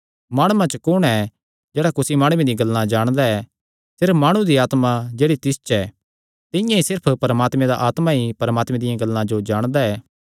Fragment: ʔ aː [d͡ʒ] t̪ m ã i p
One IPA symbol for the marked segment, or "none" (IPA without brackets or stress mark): none